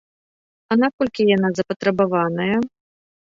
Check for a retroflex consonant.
absent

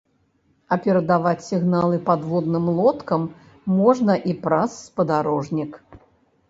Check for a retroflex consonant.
present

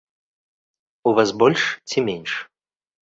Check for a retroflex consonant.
present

